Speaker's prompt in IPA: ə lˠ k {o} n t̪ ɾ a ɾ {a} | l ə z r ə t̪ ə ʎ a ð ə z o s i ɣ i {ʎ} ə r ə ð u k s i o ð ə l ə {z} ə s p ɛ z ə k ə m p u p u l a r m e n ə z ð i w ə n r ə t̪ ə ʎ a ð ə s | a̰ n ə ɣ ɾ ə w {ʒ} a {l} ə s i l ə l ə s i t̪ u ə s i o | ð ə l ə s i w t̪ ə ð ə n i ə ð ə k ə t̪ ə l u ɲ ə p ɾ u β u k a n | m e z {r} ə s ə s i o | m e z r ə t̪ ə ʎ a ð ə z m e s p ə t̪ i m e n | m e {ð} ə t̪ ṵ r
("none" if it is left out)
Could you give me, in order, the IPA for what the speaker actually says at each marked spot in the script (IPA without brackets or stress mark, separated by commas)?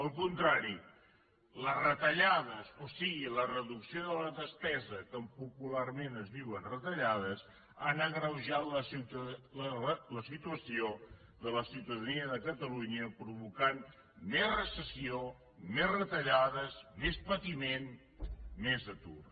u, i, l, ð, ʒ, l, r, z